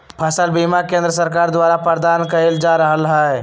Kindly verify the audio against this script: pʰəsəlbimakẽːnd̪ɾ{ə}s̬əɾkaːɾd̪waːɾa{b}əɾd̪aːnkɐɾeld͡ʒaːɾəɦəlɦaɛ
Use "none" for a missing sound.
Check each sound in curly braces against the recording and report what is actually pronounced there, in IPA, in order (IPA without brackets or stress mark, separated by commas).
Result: ə, p